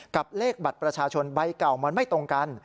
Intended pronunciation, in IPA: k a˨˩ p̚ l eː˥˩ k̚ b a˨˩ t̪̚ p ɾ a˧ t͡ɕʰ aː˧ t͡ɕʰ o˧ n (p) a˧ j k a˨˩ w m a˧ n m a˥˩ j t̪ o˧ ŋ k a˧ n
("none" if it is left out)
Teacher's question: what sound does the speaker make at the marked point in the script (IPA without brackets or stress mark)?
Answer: b